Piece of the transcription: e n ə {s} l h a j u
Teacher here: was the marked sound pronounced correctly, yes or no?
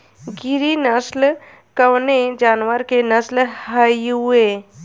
yes